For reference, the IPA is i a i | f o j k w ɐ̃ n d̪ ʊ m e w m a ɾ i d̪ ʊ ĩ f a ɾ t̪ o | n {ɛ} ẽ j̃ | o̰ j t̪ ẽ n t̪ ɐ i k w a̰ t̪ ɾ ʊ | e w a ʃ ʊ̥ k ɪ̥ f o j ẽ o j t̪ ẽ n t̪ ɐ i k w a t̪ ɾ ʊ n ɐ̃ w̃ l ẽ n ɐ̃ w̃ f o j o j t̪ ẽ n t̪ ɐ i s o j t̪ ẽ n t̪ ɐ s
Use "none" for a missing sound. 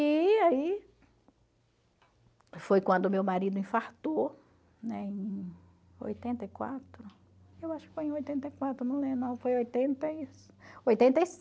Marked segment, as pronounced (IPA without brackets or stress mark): ɛ